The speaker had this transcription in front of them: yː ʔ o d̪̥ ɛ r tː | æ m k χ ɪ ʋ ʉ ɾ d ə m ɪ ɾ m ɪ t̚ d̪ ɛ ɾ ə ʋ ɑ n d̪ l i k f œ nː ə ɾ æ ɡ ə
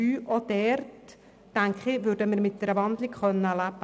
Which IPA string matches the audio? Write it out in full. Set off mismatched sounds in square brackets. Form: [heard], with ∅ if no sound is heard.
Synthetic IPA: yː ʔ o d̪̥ ɛ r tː | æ [ŋ] k χ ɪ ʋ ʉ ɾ d ə m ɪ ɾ m ɪ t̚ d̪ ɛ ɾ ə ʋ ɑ n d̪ l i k [χ] œ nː ə [l] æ [b] ə